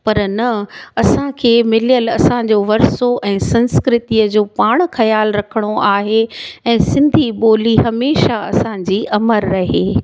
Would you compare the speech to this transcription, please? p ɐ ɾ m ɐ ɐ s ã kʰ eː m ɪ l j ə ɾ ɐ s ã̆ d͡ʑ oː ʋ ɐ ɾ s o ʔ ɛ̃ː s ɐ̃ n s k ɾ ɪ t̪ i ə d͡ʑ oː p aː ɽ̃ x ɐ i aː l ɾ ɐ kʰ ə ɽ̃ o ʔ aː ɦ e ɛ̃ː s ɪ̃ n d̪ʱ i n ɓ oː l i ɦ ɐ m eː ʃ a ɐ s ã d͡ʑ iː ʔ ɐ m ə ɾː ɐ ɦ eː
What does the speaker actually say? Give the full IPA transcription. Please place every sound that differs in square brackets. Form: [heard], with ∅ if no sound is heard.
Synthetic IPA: p ɐ ɾ [n] ɐ ɐ s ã kʰ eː m ɪ l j ə [l] ɐ s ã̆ d͡ʑ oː ʋ ɐ ɾ s o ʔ ɛ̃ː s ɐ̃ n s k ɾ ɪ t̪ i ə d͡ʑ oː p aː ɽ̃ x ɐ [j] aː l ɾ ɐ kʰ ə ɽ̃ o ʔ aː ɦ e ɛ̃ː s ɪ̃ n d̪ʱ i [∅] ɓ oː l i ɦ ɐ m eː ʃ a ɐ s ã d͡ʑ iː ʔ ɐ m ə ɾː ɐ ɦ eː